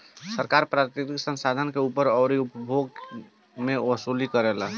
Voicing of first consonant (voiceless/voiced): voiceless